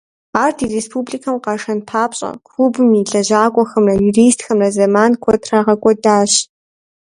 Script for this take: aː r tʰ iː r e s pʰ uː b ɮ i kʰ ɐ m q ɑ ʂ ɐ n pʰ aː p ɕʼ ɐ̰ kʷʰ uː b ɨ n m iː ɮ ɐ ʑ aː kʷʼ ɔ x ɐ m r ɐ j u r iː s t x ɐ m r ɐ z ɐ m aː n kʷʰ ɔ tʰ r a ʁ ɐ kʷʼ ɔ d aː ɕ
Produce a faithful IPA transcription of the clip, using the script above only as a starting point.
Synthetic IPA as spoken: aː r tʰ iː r e s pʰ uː b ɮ i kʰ ɐ m q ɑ ʂ ɐ n pʰ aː p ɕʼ ɐ̰ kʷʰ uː b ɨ m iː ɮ ɐ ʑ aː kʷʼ ɔ x ɐ m r ɐ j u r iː s t x ɐ m r ɐ z ɐ m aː n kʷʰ ɔ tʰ r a ʁ ɐ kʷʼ ɔ d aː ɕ